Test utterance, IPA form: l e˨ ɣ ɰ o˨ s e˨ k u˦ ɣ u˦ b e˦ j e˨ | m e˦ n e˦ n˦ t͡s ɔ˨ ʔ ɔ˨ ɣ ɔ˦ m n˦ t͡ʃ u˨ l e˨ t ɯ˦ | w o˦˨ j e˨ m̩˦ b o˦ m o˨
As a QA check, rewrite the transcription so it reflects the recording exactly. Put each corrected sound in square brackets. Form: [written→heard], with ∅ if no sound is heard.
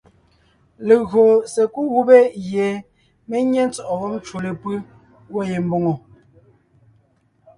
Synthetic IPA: l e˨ ɣ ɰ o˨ s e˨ k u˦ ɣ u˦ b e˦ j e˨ | m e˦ [n→ɲ] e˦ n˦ t͡s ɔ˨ ʔ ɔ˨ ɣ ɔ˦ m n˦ t͡ʃ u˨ l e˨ [t→p] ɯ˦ | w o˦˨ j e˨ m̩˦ b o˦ [m→ŋ] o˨